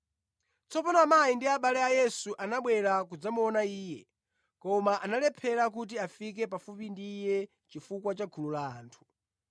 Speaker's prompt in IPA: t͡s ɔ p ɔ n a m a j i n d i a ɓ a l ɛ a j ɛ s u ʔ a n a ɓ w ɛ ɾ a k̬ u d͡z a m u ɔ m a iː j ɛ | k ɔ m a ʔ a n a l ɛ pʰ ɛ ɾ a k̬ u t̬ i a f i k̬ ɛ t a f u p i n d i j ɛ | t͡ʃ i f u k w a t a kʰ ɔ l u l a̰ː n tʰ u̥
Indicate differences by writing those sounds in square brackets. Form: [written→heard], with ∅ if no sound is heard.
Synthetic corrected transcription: t͡s ɔ p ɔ n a m a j i n d i a ɓ a l ɛ a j ɛ s u ʔ a n a ɓ w ɛ ɾ a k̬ u d͡z a m u ɔ [m→n] a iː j ɛ | k ɔ m a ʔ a n a l ɛ pʰ ɛ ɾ a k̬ u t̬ i a f i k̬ ɛ [t→p] a f u p i n d i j ɛ | t͡ʃ i f u k w a [t→t͡ʃ] a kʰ [ɔ→u] l u l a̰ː n tʰ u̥